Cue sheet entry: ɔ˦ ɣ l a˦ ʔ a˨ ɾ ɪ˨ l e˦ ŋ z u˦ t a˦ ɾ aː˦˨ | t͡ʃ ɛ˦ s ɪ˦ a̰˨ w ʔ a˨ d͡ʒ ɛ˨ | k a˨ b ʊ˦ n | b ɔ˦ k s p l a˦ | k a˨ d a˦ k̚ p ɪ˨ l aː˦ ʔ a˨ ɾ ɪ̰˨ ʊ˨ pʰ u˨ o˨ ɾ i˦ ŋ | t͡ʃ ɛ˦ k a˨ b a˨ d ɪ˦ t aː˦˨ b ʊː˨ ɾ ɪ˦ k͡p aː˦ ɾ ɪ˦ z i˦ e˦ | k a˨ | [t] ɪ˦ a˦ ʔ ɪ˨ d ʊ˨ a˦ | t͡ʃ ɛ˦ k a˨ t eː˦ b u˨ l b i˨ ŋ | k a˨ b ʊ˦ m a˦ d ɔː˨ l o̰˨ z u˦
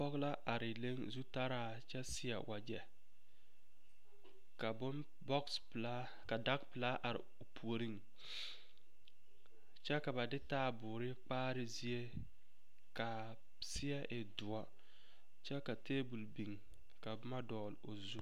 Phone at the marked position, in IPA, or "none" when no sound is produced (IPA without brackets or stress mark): s